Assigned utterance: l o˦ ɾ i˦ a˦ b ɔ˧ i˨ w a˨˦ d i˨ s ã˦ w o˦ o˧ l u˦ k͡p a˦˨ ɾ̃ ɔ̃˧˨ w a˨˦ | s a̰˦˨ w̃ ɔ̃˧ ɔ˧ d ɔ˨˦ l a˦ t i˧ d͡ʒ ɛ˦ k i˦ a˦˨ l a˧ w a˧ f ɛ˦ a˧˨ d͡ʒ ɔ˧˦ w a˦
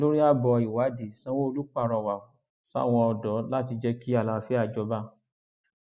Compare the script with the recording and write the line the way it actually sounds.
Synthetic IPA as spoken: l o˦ ɾ i˦ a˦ b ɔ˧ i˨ w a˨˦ d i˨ s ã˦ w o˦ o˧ l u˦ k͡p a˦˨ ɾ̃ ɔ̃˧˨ w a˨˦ | s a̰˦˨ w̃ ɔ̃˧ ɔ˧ d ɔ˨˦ l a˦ t i˧ d͡ʒ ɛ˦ k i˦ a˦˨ l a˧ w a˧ f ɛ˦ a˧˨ d͡ʒ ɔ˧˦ b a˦